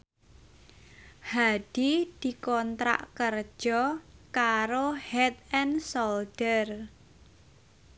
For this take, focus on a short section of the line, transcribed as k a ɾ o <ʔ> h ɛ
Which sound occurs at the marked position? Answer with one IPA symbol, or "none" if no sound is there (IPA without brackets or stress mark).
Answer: none